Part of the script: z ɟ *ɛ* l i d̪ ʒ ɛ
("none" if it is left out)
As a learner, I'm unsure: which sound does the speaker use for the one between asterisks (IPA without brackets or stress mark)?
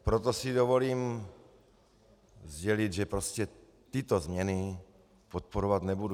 ɛ